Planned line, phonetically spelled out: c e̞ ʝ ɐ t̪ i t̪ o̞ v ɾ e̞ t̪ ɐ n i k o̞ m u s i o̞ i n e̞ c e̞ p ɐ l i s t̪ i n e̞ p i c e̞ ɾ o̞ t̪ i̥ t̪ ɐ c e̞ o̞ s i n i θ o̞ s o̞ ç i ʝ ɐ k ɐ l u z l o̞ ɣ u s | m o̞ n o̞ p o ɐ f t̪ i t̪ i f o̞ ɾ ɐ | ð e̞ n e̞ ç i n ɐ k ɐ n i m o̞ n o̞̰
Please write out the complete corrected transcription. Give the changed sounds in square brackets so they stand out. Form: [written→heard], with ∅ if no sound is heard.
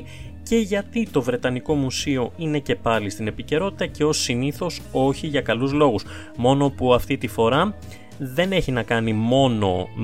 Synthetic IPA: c e̞ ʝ ɐ t̪ i t̪ o̞ v ɾ e̞ t̪ ɐ n i k o̞ m u s i o̞ i n e̞ c e̞ p ɐ l i s t̪ i n e̞ p i c e̞ ɾ o̞ t̪ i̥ t̪ ɐ c e̞ o̞ s i n i θ o̞ s o̞ ç i ʝ ɐ k ɐ l u z l o̞ ɣ u s | m o̞ n o̞ p [o→u] ɐ f t̪ i t̪ i f o̞ ɾ ɐ | ð e̞ n e̞ ç i n ɐ k ɐ n i m o̞ n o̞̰